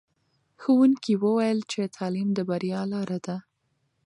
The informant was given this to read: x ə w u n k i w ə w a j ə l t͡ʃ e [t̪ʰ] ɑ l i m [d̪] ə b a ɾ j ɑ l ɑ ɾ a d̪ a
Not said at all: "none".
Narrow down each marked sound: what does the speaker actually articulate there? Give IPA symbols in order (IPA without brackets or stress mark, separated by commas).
t̪ʰ, d̪